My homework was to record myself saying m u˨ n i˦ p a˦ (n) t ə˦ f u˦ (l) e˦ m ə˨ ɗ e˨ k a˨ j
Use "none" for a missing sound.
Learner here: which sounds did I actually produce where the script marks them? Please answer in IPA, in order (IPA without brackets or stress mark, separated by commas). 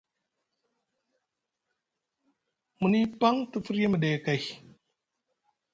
ŋ, ɾ